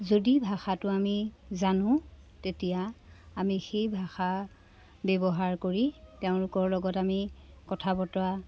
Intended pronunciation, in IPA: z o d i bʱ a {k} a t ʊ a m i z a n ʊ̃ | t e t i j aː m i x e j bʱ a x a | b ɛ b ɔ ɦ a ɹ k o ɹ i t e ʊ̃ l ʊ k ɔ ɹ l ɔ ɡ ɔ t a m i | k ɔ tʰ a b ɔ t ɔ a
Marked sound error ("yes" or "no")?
yes